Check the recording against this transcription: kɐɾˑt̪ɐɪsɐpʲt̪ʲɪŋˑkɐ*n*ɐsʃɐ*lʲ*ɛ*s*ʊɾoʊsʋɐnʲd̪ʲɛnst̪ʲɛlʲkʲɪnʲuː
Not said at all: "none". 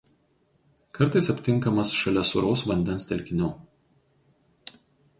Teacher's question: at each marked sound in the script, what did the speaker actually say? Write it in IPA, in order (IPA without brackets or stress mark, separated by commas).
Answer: m, lʲ, s